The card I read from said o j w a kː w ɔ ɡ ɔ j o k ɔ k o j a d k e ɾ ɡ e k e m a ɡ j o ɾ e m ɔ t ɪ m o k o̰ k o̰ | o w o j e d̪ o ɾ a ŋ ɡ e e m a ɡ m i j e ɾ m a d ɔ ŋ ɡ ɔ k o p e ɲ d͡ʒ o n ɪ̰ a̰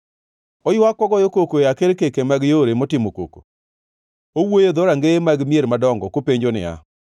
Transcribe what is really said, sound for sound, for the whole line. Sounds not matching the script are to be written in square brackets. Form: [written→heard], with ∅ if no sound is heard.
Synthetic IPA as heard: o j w a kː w ɔ ɡ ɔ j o k [ɔ→o] k o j a [d→∅] k e ɾ [ɡ→k] e k e m a ɡ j o ɾ e m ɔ t ɪ m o k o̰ k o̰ | o w o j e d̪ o ɾ a ŋ ɡ e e m a ɡ m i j e ɾ m a d ɔ ŋ ɡ ɔ k o p e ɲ d͡ʒ o n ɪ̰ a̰